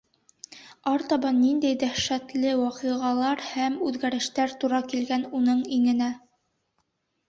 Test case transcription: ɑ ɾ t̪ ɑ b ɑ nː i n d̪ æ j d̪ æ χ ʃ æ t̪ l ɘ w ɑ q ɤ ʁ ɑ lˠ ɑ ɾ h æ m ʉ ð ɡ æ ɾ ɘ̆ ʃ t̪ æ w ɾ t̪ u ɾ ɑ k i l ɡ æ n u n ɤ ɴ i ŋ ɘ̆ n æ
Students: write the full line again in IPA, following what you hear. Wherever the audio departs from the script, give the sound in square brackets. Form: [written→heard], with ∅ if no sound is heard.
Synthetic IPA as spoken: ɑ ɾ t̪ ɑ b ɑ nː i n d̪ æ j d̪ æ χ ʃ æ t̪ l ɘ w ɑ q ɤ ʁ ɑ lˠ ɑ ɾ h æ m ʉ ð ɡ æ ɾ ɘ̆ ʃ t̪ æ [w→∅] ɾ t̪ u ɾ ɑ k i l ɡ æ n u n ɤ ɴ i ŋ ɘ̆ n æ